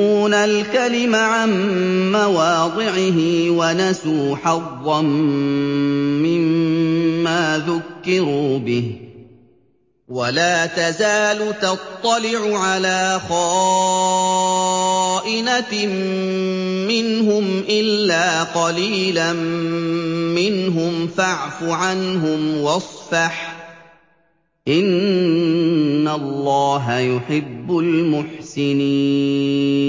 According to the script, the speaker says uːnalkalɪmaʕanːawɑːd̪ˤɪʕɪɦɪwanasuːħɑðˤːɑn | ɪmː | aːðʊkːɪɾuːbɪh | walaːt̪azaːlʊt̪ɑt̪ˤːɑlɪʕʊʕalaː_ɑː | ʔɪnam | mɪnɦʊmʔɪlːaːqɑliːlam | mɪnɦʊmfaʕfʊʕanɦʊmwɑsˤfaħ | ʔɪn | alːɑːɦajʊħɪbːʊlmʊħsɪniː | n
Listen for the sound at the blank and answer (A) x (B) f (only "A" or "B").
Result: A